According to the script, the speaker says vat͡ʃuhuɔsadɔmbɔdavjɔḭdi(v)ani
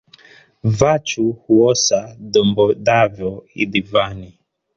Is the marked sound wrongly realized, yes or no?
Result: no